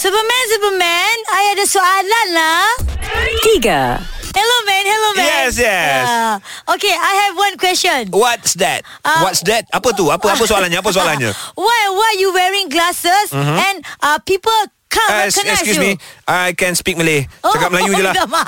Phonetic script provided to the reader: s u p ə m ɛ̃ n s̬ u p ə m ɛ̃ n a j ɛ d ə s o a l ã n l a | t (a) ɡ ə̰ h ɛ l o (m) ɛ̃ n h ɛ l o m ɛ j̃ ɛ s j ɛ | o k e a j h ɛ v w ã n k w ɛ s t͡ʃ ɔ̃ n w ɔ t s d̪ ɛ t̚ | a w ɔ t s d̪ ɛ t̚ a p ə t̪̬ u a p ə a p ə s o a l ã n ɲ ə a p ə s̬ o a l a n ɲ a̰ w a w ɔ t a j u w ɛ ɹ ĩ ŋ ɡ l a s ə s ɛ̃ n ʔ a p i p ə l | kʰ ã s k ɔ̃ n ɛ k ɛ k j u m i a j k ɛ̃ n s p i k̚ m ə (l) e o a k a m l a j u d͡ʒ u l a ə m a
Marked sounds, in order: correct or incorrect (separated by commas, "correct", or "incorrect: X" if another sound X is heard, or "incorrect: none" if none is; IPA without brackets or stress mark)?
incorrect: i, correct, correct